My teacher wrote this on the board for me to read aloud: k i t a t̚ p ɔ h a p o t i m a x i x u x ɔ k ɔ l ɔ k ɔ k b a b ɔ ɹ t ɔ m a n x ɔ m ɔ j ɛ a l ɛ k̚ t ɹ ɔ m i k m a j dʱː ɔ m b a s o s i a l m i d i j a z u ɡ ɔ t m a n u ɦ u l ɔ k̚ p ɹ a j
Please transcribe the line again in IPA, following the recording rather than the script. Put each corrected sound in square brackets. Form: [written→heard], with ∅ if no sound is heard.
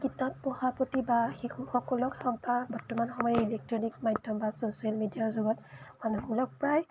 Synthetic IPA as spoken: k i t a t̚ p ɔ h a p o t i [m→b] a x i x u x ɔ k ɔ l ɔ k ɔ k b a b ɔ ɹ t ɔ m a n x ɔ m ɔ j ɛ [a→i] l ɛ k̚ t ɹ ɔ [m→n] i k m a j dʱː ɔ m b a s o s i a l m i d i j a z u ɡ ɔ t m a n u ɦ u l ɔ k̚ p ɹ a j